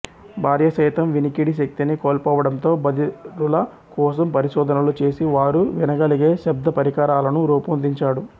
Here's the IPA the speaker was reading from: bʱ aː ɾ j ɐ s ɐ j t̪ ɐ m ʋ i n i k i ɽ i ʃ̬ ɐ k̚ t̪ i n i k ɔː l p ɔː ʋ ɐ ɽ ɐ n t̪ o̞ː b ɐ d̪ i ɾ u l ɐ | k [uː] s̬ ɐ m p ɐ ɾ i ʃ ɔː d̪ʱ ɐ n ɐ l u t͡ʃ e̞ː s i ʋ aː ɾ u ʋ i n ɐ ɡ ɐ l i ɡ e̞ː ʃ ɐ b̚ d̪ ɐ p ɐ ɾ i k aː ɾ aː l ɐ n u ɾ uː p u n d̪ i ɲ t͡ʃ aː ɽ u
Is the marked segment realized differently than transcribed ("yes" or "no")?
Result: yes